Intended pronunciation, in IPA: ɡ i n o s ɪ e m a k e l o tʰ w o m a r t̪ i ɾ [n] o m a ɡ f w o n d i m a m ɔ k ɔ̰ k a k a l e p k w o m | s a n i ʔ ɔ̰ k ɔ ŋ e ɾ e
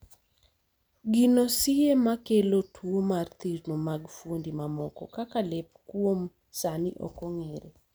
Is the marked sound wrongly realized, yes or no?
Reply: no